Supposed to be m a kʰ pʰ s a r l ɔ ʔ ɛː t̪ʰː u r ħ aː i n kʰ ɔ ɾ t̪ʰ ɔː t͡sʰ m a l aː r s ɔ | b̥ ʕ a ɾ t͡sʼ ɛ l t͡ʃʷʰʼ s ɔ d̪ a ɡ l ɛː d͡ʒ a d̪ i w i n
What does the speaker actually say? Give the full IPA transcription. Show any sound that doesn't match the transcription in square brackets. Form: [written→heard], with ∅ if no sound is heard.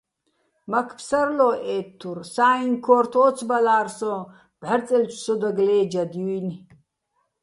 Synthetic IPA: m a kʰ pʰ s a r l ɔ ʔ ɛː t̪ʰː u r [ħ→s] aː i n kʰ ɔ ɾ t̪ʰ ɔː t͡sʰ [m→b] a l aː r s ɔ | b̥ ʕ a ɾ t͡sʼ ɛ l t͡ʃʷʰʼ s ɔ d̪ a ɡ l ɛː d͡ʒ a d̪ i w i n